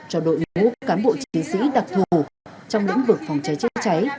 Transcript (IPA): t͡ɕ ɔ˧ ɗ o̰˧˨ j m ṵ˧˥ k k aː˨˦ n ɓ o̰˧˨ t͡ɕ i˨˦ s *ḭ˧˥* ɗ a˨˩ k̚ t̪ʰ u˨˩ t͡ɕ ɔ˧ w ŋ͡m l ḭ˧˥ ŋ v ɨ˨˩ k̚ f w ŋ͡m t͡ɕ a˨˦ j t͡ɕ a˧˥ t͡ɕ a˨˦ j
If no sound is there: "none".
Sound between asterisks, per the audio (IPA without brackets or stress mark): ḭ˧˥